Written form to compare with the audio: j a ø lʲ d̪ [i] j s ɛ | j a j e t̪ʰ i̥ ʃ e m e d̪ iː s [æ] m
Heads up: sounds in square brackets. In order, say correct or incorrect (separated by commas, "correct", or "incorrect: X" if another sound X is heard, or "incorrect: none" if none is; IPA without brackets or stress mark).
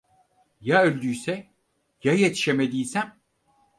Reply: incorrect: y, correct